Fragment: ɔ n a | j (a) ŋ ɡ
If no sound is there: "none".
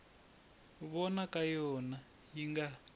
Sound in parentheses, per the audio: i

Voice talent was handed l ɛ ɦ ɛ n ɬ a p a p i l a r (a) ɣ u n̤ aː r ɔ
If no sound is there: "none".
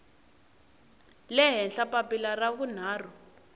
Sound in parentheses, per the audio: a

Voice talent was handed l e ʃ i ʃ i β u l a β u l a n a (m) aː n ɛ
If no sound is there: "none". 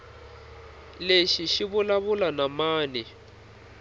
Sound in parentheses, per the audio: m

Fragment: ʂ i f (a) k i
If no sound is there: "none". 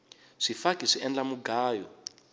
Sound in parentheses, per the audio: a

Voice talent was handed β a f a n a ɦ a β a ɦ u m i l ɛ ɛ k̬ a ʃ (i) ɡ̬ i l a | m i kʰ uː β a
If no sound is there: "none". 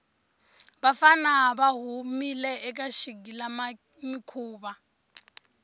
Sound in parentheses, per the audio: i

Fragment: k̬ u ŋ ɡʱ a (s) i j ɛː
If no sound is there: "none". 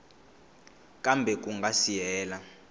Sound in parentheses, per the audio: s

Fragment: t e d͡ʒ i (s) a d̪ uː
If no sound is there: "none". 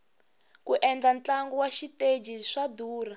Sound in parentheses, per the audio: ʂ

